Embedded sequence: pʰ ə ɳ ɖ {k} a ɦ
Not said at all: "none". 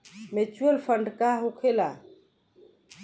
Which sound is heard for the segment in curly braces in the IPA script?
k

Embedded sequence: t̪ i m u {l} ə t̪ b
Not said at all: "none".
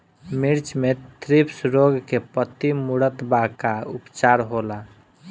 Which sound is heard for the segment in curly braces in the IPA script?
ɽ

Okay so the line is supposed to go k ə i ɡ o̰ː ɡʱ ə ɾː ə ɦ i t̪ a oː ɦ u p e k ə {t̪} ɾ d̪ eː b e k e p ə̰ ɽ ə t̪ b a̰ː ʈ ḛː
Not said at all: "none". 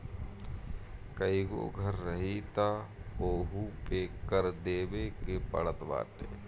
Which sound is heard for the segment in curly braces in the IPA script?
none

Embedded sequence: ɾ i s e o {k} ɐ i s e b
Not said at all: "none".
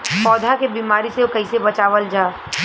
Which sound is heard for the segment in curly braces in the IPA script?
k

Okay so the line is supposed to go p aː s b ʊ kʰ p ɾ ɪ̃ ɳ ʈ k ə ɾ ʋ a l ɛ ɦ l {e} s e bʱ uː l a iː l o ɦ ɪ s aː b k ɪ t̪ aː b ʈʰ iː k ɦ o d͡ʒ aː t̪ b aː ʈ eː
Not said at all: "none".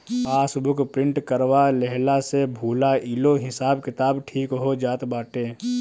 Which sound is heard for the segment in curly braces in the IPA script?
a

